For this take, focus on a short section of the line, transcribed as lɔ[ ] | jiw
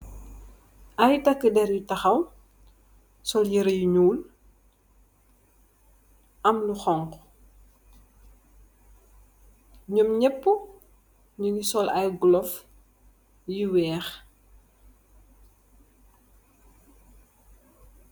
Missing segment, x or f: f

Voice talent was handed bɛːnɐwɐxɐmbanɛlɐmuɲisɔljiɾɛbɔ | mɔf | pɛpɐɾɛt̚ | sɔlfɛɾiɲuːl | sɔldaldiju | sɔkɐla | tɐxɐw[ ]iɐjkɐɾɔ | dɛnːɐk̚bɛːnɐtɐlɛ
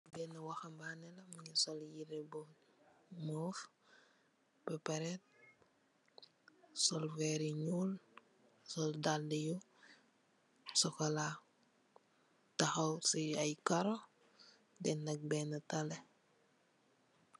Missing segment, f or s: s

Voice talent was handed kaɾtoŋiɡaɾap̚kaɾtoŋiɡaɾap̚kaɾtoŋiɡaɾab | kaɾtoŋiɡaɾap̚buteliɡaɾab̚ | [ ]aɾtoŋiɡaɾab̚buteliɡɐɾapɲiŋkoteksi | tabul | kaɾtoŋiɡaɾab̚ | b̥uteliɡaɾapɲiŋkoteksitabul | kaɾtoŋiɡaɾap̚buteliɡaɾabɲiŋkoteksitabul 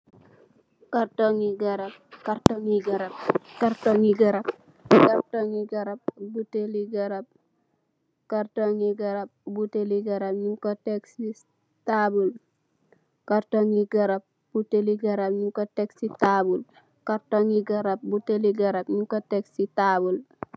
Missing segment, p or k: k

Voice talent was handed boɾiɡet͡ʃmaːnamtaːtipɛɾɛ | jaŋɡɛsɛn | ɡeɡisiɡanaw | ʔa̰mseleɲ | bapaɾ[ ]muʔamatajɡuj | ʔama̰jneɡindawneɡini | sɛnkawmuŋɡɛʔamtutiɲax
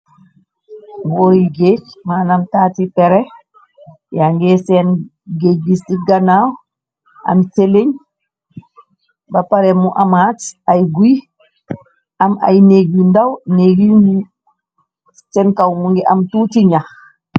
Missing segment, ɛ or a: ɛ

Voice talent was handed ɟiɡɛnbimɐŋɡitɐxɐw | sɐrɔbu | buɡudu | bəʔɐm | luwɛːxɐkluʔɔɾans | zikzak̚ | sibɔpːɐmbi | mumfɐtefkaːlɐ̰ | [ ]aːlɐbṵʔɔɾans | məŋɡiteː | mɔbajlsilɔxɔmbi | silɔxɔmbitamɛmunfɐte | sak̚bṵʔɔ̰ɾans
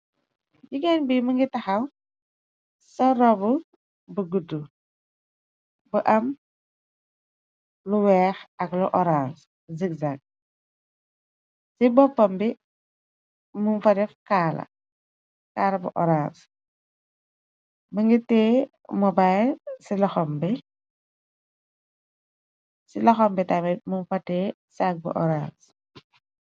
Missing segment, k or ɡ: k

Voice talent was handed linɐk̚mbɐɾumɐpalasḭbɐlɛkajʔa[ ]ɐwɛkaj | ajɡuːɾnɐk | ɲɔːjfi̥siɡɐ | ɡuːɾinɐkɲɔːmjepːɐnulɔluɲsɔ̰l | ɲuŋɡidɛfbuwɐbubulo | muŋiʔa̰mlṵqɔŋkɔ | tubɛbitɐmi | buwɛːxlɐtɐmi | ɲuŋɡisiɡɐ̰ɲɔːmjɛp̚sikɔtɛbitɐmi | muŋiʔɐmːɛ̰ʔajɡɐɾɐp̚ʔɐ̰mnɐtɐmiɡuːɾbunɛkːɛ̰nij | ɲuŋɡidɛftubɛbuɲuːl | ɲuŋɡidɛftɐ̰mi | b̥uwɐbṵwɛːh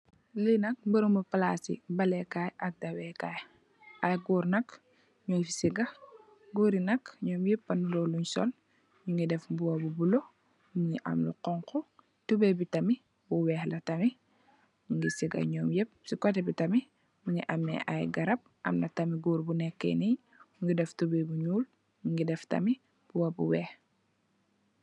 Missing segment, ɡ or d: d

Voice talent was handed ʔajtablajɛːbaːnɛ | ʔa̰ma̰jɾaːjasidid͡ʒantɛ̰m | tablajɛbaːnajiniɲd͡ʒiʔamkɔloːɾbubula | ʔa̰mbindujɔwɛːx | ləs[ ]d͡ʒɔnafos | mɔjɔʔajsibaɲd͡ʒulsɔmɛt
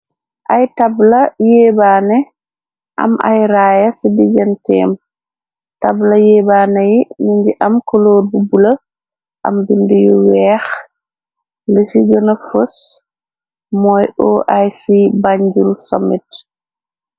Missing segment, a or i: i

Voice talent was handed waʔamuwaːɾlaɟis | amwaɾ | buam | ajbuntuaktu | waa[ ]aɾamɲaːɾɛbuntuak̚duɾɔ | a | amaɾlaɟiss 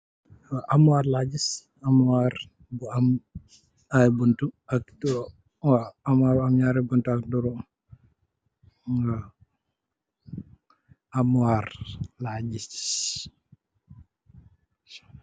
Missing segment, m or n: m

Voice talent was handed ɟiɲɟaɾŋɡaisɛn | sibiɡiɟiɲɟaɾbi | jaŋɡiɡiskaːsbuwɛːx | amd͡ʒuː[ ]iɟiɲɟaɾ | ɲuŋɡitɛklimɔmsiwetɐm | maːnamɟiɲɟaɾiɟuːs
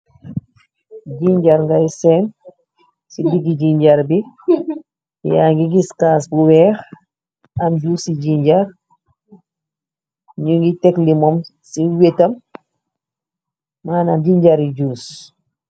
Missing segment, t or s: s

